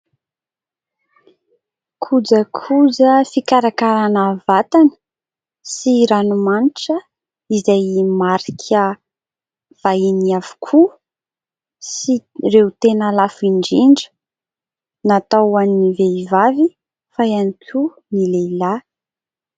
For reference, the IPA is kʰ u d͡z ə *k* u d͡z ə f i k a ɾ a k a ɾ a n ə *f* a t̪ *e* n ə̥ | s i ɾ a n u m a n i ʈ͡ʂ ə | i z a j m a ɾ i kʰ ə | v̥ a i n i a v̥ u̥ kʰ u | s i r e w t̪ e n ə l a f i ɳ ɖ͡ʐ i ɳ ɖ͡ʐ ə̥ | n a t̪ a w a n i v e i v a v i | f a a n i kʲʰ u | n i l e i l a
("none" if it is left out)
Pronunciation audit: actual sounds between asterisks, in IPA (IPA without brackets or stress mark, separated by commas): kʰ, v, a